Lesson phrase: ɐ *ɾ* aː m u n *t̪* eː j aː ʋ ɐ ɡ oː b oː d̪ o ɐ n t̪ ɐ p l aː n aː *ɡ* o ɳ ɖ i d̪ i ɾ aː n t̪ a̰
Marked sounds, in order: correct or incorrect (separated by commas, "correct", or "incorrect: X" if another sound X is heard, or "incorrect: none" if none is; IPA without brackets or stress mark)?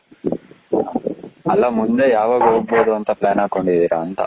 incorrect: l, incorrect: d̪, incorrect: k